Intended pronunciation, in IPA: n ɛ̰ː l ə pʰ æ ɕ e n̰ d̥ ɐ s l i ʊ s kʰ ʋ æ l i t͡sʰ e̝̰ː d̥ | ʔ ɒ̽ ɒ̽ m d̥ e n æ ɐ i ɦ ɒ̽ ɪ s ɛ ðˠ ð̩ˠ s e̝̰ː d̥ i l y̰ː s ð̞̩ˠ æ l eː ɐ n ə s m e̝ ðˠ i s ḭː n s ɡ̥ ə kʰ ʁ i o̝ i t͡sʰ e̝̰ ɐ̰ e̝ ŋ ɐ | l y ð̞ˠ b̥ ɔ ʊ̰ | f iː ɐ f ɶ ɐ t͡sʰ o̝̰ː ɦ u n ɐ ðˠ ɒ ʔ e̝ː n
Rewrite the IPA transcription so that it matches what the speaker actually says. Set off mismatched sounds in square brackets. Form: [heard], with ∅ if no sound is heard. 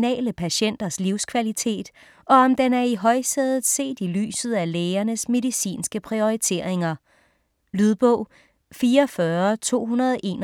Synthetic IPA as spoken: n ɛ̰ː l ə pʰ æ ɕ e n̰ d̥ ɐ s l i ʊ s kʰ ʋ æ l i t͡sʰ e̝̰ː d̥ | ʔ ɒ̽ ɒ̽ m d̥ e n æ ɐ i ɦ ɒ̽ ɪ s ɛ ðˠ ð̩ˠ s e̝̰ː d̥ i l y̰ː s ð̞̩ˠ æ l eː ɐ n ə s m e̝ ðˠ i s ḭː n s ɡ̥ ə [pʰ] ʁ i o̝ i t͡sʰ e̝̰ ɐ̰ e̝ ŋ ɐ | l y ð̞ˠ b̥ ɔ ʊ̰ | f iː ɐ f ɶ ɐ t͡sʰ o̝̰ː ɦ u n ɐ ðˠ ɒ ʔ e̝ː n